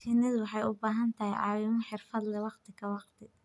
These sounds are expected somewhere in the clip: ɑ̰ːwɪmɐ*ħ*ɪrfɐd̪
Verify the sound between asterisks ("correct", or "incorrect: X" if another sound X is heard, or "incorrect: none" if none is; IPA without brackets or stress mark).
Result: correct